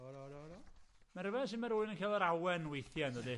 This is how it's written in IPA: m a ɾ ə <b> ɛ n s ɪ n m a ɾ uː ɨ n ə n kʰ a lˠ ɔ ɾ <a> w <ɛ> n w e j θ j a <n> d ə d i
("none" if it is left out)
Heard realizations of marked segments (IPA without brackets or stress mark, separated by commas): v, a, ɛ, n